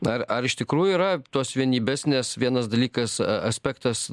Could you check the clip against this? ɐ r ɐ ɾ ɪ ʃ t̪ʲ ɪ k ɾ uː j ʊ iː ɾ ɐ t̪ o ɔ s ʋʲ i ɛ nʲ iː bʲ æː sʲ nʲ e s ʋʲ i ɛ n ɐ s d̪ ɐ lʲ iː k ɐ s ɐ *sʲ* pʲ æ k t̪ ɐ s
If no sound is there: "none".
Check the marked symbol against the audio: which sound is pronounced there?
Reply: sʲ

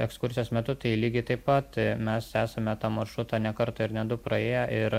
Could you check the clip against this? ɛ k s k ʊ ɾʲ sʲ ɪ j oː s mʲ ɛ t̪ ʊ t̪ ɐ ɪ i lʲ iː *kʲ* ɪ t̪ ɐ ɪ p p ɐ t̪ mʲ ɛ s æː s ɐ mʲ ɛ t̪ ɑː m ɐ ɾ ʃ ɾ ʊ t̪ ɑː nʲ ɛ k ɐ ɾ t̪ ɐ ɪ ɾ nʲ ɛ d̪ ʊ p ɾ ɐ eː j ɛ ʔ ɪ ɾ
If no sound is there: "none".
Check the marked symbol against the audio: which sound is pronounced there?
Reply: ɡʲ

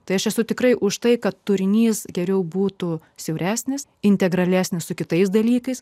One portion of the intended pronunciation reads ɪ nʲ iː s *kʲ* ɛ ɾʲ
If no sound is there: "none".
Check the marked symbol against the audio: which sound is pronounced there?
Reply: ɡʲ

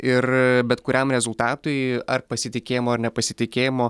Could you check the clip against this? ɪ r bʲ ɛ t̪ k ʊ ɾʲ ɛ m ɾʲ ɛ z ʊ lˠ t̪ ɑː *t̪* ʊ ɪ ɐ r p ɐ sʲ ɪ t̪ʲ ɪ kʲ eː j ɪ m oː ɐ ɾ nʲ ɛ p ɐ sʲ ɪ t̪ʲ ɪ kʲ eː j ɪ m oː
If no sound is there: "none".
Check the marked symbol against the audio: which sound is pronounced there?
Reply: t̪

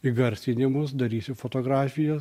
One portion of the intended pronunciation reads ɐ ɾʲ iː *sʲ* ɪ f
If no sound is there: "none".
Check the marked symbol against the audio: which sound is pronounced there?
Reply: sʲ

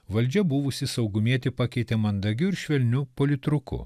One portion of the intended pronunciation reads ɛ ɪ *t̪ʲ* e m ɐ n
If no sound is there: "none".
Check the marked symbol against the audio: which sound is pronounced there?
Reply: t̪ʲ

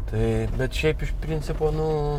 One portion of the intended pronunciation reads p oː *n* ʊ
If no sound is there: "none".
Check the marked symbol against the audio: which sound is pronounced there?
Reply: n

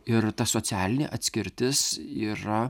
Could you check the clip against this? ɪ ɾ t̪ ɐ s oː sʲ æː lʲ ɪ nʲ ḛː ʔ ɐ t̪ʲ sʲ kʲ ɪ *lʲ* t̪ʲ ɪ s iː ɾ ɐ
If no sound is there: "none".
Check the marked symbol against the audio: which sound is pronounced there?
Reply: ɾʲ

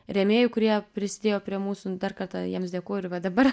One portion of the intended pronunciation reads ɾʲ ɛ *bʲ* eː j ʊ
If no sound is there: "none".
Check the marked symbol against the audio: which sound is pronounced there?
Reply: mʲ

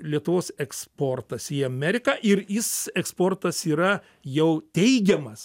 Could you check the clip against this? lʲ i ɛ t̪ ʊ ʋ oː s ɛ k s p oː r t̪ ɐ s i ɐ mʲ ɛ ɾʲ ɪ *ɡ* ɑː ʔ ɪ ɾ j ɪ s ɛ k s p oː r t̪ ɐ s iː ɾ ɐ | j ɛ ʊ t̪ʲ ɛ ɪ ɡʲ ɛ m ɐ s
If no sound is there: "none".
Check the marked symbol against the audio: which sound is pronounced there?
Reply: k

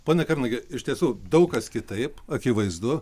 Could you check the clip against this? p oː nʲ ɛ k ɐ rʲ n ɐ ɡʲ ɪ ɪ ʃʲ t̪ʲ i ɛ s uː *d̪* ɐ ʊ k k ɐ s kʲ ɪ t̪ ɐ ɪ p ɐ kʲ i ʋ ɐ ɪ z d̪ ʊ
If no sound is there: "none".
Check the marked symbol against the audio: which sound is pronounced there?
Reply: d̪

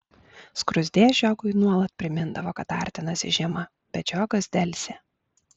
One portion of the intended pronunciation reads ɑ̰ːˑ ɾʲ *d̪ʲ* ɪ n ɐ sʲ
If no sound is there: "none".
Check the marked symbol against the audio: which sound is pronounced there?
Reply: t̪ʲ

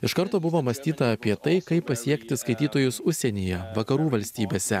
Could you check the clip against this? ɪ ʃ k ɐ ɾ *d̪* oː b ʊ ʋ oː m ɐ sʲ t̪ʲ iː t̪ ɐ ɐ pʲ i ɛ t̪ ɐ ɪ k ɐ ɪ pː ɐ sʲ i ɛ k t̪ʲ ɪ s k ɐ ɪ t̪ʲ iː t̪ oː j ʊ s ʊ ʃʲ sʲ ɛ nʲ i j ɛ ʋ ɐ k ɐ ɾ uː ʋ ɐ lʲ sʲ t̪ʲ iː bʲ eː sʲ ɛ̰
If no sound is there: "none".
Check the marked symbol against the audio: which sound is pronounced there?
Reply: t̪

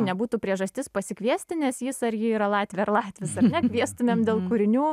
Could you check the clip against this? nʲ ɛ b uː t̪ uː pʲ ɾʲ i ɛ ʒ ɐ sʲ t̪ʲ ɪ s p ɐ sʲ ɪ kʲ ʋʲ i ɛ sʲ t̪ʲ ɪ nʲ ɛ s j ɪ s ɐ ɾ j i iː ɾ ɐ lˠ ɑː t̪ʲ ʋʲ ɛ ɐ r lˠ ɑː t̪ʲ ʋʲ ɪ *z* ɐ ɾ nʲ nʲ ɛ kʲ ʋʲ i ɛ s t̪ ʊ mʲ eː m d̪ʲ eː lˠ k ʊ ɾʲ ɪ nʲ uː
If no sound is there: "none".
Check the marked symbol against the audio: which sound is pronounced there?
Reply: s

